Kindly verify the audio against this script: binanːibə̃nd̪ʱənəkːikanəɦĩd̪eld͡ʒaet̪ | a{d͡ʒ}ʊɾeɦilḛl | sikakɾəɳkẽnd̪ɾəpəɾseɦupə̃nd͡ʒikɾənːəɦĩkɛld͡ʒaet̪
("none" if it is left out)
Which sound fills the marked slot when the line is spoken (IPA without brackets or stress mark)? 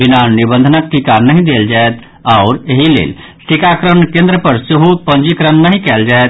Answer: none